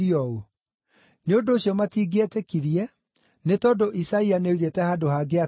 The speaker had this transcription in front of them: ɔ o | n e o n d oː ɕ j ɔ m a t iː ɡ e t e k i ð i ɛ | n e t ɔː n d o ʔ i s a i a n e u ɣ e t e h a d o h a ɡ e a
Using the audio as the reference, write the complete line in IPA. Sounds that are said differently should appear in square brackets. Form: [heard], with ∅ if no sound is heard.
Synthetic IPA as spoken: ɔ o | n e o n d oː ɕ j ɔ m a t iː ɡ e t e k i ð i ɛ | n e t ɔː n d o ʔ i s a i a n e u ɣ e t [ɛ] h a d o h a ɡ e a